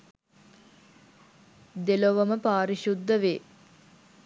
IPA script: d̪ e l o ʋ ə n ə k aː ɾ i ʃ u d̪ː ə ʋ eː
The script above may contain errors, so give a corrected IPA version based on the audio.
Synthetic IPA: d̪ e l o ʋ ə m ə p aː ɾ i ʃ u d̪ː ə ʋ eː